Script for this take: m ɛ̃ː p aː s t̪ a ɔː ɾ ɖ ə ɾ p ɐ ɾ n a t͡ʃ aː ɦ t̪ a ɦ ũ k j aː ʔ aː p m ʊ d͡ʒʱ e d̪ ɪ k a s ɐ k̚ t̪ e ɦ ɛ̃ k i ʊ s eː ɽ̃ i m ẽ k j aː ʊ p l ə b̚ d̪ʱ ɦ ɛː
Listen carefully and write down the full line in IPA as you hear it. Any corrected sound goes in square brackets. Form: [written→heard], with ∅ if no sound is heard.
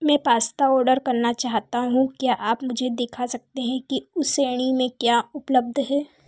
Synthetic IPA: m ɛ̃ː p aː s t̪ a ɔː ɾ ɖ ə ɾ [p→k] ɐ ɾ n a t͡ʃ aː ɦ t̪ a ɦ ũ k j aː ʔ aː p m ʊ d͡ʒʱ e d̪ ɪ [k→kʰ] a s ɐ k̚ t̪ e ɦ ɛ̃ k i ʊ s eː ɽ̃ i m ẽ k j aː ʊ p l ə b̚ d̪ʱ ɦ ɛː

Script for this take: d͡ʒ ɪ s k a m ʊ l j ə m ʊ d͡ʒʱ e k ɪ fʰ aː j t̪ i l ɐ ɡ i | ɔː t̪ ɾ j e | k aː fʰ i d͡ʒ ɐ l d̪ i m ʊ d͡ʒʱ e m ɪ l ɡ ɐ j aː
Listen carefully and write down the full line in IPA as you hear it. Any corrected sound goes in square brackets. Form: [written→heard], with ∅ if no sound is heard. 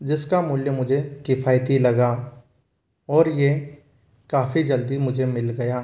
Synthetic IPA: d͡ʒ ɪ s k a m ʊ l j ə m ʊ d͡ʒʱ e k ɪ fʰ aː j t̪ i l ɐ ɡ [i→a] | ɔː [t̪→∅] ɾ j e | k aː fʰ i d͡ʒ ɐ l d̪ i m ʊ d͡ʒʱ e m ɪ l ɡ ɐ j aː

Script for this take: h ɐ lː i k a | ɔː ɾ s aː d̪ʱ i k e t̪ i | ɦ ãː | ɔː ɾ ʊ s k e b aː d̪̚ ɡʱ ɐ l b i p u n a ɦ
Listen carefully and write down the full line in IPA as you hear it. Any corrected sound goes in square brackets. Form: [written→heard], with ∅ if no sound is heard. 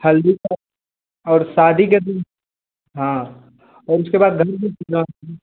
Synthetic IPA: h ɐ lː i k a | ɔː ɾ s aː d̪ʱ i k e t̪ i | ɦ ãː | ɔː ɾ ʊ s k e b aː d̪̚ ɡʱ ɐ [l→ɾ] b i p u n a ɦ

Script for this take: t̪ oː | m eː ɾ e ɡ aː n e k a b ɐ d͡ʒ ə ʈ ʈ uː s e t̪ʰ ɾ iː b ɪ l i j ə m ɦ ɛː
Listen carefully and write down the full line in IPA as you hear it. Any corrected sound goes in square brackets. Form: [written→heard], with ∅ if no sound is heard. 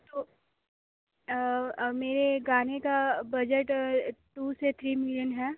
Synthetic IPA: t̪ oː | m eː ɾ e ɡ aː n e k a b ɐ d͡ʒ ə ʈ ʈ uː s e t̪ʰ ɾ iː [b→m] ɪ l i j ə [m→n] ɦ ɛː

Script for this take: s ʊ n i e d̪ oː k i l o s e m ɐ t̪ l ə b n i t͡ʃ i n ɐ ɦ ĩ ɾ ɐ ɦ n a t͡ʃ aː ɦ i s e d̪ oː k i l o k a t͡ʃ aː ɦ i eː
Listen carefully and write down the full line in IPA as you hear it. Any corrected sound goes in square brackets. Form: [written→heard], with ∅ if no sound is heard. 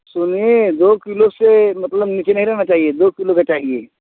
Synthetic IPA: s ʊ n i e d̪ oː k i l o s e m ɐ t̪ l ə b n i t͡ʃ [i→e] n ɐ ɦ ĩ ɾ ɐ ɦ n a t͡ʃ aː ɦ i [s→∅] e d̪ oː k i l o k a t͡ʃ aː ɦ i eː

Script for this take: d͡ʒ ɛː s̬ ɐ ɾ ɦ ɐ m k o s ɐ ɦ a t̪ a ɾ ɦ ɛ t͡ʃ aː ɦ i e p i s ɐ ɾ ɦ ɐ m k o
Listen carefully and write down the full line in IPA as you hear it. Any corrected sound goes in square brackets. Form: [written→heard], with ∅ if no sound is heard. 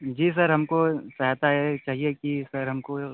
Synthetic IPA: d͡ʒ [ɛː→iː] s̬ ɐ ɾ ɦ ɐ m k o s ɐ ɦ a t̪ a [ɾ→∅] ɦ ɛ t͡ʃ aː ɦ i e [p→k] i s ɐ ɾ ɦ ɐ m k o

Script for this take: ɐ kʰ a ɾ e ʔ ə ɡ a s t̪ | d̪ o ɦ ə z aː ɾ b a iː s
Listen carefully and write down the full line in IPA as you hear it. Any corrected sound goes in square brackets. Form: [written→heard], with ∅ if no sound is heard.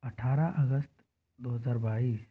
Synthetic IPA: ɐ [kʰ→ʈʰ] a ɾ [e→a] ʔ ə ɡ [a→ə] s t̪ | d̪ o ɦ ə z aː ɾ b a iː s

